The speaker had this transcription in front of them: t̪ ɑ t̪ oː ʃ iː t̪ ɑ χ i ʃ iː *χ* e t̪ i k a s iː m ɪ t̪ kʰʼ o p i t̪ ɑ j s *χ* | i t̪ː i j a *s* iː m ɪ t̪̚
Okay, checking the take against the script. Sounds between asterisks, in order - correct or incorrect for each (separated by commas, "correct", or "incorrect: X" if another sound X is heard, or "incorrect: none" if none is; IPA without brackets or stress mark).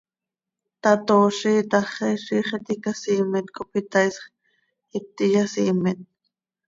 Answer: correct, correct, correct